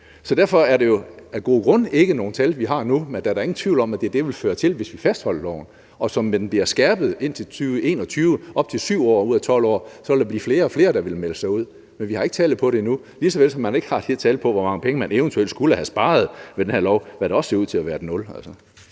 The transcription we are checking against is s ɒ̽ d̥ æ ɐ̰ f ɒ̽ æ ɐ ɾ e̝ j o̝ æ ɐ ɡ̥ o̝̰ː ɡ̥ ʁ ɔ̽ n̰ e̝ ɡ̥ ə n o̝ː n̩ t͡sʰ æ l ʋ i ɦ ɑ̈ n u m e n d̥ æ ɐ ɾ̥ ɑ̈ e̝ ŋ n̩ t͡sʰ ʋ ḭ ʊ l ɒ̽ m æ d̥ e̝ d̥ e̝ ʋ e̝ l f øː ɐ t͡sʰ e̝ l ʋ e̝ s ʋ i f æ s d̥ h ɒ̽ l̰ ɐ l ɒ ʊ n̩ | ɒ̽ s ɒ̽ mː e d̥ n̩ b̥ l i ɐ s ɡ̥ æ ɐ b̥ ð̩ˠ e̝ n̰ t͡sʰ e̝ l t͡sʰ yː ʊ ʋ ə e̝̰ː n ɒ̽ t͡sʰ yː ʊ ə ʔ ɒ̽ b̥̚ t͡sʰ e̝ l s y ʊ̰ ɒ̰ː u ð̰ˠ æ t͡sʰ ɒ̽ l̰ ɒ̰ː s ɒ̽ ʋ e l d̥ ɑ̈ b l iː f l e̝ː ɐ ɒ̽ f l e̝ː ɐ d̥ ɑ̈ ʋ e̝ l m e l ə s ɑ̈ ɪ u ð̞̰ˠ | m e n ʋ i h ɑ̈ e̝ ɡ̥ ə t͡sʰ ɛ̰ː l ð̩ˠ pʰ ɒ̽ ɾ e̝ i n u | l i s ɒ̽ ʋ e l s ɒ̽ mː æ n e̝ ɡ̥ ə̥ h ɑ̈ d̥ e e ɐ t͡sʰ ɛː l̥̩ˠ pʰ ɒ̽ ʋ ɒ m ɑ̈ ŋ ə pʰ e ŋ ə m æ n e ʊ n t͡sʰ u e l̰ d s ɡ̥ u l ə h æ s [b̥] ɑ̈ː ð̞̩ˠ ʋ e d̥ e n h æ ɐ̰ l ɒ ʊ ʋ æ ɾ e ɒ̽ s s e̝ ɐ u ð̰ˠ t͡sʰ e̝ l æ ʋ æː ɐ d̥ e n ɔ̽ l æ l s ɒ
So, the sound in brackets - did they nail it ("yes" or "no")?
yes